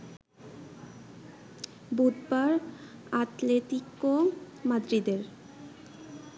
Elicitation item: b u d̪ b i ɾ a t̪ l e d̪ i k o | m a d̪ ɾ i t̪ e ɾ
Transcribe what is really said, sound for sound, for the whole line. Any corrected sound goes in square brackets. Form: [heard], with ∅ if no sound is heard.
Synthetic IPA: b u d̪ b [a] ɾ a t̪ l e [t̪] i k o | m a d̪ ɾ i [d̪] e ɾ